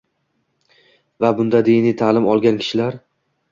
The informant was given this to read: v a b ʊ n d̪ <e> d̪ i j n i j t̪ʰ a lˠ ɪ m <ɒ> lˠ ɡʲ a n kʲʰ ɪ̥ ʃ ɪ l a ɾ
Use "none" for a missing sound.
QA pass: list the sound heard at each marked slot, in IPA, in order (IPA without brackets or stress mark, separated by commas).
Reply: a, ɒ